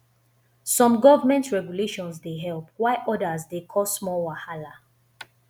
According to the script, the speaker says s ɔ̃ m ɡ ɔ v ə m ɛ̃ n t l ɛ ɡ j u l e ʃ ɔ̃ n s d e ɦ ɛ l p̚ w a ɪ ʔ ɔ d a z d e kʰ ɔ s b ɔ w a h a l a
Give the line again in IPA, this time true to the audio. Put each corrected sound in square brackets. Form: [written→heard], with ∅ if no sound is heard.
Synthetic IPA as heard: s ɔ̃ m ɡ ɔ v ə m ɛ̃ n t [l→ɹ] ɛ ɡ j u l e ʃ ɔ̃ n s d e ɦ ɛ l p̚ w a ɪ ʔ ɔ d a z d e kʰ ɔ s [b→m] ɔ w a h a l a